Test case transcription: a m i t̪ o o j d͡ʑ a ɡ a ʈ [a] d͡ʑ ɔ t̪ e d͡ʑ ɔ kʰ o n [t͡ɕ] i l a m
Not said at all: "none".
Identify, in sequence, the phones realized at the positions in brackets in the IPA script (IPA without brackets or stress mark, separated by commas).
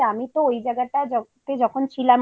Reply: a, t͡ɕʰ